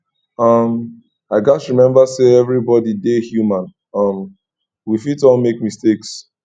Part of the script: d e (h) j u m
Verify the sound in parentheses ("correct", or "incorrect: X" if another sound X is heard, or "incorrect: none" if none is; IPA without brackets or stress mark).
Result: correct